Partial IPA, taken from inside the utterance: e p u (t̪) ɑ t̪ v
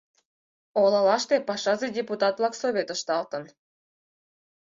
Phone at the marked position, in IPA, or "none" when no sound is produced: t̪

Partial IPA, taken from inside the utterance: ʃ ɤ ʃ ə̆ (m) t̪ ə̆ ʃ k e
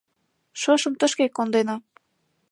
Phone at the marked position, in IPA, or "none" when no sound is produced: m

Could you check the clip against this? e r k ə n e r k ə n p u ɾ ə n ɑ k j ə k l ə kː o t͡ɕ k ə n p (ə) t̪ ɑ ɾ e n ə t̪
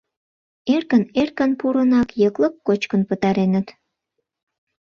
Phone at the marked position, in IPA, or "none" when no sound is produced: ə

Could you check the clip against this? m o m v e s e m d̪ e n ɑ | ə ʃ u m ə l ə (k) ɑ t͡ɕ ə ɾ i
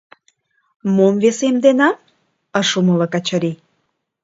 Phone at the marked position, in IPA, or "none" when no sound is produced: k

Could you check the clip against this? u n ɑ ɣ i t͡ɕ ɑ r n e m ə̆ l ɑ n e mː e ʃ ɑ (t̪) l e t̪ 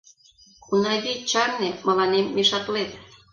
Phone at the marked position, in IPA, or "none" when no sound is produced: t̪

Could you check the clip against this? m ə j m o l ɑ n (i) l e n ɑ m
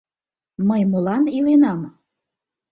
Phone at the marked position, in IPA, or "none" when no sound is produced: i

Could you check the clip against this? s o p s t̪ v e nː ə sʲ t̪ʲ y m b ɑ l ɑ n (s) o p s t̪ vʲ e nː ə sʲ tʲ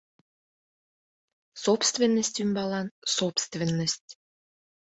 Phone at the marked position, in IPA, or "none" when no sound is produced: s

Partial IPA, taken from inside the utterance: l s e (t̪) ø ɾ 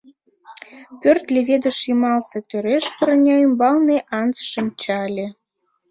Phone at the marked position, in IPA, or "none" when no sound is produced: t̪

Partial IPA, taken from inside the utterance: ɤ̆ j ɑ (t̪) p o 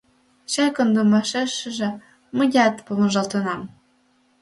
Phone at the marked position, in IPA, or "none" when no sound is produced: t̪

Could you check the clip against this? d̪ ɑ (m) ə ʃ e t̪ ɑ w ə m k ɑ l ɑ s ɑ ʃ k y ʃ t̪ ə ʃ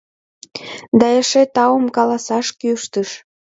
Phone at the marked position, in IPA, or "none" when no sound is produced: none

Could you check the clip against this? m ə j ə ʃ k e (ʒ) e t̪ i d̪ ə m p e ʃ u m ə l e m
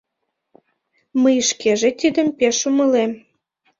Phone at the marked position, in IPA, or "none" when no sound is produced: ʒ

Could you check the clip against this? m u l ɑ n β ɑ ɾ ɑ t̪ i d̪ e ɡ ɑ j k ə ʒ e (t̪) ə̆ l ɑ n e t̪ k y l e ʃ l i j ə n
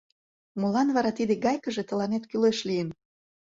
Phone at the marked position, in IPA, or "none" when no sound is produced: t̪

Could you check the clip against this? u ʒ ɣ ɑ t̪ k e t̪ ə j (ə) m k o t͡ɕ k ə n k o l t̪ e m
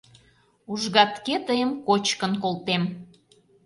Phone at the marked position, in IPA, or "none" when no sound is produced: ə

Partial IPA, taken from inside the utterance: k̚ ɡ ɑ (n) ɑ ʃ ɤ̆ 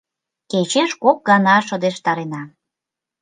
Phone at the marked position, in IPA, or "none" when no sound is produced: n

